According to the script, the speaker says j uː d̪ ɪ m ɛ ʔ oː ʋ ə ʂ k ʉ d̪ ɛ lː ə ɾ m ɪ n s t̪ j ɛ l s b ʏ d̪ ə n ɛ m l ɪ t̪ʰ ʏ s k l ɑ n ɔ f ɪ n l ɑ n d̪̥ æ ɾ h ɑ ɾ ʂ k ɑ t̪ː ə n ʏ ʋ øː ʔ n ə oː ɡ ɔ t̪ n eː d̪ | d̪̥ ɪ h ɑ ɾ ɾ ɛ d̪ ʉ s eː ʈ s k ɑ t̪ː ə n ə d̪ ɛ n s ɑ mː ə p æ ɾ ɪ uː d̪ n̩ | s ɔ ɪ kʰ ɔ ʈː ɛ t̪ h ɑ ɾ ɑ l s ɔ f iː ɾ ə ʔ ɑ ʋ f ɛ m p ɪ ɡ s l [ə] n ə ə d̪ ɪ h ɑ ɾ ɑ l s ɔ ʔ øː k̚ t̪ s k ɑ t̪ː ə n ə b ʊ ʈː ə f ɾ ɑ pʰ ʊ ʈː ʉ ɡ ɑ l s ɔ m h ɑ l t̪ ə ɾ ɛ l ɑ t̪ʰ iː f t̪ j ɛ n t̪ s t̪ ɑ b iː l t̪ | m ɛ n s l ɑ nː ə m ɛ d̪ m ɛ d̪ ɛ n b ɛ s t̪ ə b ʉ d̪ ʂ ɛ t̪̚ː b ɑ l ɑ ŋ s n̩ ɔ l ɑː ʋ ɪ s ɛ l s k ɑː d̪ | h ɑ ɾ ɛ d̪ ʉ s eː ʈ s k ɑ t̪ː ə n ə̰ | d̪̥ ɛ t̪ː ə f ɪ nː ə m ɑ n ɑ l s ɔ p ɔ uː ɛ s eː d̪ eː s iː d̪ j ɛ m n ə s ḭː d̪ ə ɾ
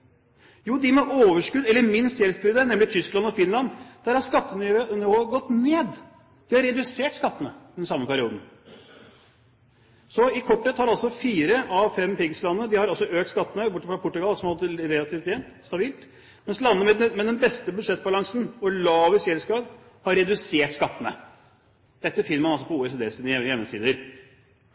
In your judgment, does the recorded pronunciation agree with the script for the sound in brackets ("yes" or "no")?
no